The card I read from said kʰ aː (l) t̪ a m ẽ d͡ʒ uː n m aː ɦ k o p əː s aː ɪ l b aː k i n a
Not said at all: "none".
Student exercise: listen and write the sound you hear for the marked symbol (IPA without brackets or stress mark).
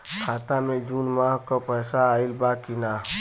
none